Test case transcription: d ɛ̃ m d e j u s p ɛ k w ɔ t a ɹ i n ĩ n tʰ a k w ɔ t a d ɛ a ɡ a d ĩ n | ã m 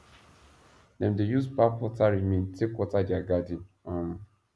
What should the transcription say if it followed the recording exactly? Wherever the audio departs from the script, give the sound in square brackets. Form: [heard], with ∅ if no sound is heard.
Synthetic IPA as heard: d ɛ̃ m d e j u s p [a] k w ɔ t a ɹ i [m] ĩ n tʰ [e] k w ɔ t a d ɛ a ɡ a d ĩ n | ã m